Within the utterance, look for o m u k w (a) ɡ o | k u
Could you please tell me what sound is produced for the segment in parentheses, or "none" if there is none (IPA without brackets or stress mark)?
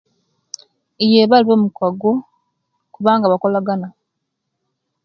a